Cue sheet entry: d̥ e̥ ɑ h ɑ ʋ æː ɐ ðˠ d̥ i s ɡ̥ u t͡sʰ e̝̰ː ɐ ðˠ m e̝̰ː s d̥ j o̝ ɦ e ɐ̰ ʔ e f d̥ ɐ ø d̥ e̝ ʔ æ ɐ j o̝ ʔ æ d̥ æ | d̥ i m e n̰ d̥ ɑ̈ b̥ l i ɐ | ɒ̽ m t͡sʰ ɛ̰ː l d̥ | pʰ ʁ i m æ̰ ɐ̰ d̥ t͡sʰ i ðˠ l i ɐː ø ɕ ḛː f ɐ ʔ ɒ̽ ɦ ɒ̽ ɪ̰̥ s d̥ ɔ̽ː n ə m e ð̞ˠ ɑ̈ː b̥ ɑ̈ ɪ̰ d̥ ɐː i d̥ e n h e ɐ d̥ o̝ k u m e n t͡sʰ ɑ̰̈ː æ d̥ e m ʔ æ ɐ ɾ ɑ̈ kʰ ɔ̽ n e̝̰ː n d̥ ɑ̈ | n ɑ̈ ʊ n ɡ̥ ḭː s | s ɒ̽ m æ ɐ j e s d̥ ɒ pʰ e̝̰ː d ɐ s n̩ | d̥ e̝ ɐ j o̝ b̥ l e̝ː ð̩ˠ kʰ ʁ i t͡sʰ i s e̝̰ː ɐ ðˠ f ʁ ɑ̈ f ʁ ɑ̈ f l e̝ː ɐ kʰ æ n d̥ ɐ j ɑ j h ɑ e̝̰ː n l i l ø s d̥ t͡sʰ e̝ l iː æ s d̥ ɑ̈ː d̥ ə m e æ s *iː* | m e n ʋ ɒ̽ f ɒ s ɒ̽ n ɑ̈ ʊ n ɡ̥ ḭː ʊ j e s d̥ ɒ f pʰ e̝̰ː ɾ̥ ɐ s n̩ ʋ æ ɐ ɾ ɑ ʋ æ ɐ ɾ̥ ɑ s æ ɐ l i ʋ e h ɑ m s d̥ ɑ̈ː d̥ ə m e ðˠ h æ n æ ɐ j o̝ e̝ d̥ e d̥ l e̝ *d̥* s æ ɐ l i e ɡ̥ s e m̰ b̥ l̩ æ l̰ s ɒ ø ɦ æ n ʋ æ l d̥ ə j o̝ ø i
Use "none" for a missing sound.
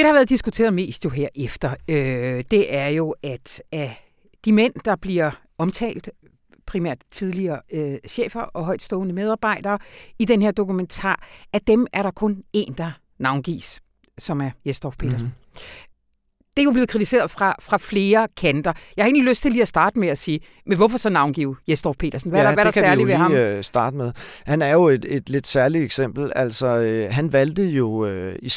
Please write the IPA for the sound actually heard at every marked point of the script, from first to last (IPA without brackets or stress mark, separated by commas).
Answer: iː, d̥